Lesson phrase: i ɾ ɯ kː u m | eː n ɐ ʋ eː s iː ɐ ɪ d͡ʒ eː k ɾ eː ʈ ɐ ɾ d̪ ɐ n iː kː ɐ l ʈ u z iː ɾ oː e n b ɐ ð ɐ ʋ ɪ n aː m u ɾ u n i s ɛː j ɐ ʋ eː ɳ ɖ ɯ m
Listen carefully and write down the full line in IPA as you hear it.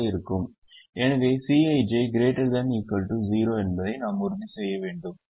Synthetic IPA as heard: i ɾ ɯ kː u m | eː n ɐ ʋ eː s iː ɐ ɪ d͡ʒ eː ɡ ɾ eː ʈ ɐ ɾ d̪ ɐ n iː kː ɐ l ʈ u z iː ɾ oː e n b ɐ ð ɐ ɪ n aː m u ɾ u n i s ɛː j ɐ ʋ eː ɳ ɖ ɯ m